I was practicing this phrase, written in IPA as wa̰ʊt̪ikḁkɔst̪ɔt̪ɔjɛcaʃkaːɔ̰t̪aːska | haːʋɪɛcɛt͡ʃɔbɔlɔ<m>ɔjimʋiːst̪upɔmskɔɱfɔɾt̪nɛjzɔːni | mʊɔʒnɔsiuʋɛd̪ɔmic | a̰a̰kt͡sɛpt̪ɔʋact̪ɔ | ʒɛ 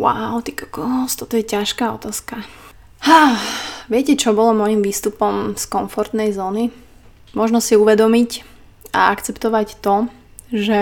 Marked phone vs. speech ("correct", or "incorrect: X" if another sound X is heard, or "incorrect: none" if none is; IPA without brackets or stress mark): correct